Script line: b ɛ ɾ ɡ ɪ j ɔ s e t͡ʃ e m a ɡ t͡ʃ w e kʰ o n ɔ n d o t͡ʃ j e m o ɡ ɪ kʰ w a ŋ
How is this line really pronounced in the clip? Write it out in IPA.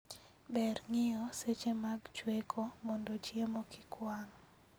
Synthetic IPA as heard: b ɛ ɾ ŋ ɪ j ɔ s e t͡ʃ e m a ɡ t͡ʃ w e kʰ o m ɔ n d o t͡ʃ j e m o k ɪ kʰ w a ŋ